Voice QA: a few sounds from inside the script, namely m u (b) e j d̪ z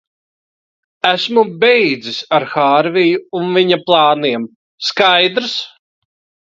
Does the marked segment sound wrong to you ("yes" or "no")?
no